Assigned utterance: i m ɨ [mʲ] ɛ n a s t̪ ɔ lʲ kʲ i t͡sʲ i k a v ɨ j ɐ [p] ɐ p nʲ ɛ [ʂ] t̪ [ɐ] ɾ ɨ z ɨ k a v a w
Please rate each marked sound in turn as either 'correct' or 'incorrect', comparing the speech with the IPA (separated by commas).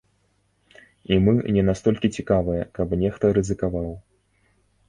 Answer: incorrect, incorrect, incorrect, correct